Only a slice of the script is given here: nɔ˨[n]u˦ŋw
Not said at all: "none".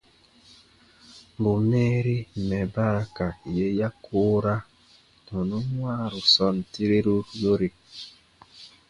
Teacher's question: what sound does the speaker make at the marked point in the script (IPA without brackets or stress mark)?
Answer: n